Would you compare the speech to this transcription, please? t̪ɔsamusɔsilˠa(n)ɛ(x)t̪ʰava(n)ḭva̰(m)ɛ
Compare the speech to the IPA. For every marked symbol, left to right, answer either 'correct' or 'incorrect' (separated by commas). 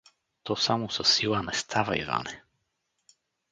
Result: correct, incorrect, incorrect, incorrect